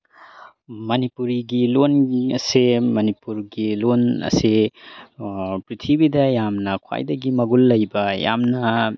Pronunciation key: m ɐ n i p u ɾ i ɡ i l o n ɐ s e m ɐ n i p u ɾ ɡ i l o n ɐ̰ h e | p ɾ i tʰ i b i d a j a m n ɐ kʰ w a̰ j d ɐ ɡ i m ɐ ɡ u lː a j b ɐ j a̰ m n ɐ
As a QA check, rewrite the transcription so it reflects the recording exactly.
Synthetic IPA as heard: m ɐ n i p u ɾ i ɡ i l o n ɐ s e m ɐ n i p u ɾ ɡ i l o n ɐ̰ s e | p ɾ i tʰ i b i d ɐ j a m n ɐ kʰ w a̰ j d ɐ ɡ i m ɐ ɡ u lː ɐ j b ɐ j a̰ m n ɐ